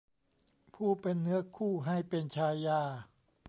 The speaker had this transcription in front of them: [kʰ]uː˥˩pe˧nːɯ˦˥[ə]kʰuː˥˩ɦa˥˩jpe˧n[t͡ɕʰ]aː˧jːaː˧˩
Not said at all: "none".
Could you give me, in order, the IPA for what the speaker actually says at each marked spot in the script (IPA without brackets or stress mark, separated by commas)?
pʰ, ɐ, t͡ɕʰ